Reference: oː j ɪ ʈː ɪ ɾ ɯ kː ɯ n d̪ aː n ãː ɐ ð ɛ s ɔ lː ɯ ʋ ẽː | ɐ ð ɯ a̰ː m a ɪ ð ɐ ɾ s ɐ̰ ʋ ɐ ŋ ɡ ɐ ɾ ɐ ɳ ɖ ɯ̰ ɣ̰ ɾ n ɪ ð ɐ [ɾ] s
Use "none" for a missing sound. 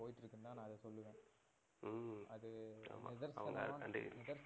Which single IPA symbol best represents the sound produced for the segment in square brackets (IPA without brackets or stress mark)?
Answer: ɾ